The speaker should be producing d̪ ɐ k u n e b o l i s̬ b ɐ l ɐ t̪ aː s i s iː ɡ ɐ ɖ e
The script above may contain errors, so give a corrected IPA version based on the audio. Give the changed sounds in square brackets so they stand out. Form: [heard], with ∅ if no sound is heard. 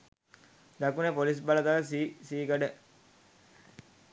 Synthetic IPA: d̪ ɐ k u n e [p] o l i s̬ b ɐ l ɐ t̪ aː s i s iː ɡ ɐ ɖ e